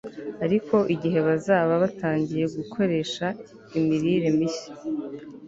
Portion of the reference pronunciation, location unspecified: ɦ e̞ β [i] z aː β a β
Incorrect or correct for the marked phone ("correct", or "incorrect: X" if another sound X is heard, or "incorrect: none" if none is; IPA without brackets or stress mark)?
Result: incorrect: a